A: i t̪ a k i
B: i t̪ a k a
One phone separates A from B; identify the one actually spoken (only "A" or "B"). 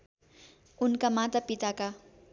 B